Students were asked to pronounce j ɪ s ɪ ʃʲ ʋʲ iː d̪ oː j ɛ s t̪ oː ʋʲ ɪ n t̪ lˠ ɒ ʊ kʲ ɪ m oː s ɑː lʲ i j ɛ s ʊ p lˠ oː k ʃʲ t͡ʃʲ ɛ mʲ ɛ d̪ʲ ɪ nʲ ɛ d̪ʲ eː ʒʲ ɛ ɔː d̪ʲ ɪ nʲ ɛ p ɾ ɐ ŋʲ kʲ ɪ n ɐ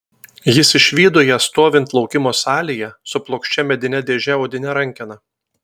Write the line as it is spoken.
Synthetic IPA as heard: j ɪ s ɪ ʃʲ ʋʲ iː d̪ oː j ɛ s t̪ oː ʋʲ ɪ n t̪ lˠ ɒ ʊ kʲ ɪ m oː s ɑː lʲ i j ɛ s ʊ p lˠ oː k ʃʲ t͡ʃʲ ɛ mʲ ɛ d̪ʲ ɪ nʲ ɛ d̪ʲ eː ʒʲ ɛ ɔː d̪ʲ ɪ nʲ ɛ ɾ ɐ ŋʲ kʲ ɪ n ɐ